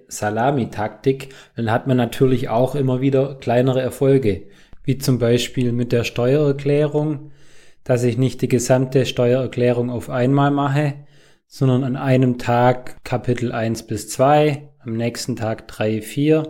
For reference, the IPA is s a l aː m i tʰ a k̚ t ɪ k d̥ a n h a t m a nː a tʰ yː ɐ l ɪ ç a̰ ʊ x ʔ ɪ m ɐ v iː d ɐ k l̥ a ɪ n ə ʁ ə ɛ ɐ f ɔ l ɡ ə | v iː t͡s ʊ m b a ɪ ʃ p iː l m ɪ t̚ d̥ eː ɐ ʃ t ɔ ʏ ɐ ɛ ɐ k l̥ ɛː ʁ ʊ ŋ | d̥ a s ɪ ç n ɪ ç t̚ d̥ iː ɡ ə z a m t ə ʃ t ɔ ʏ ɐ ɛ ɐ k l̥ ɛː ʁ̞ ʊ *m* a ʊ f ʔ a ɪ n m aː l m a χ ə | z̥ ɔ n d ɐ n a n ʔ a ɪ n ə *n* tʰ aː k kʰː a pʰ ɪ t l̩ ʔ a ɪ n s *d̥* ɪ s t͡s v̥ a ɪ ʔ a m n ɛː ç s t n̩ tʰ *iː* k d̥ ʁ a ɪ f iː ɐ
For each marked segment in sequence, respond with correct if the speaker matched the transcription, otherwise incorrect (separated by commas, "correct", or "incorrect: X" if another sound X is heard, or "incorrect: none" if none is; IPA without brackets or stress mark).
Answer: incorrect: ŋ, incorrect: m, incorrect: b̥, incorrect: aː